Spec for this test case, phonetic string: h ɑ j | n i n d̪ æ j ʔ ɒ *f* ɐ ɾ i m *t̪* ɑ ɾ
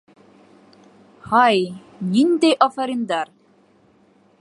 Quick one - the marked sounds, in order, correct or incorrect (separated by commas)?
correct, incorrect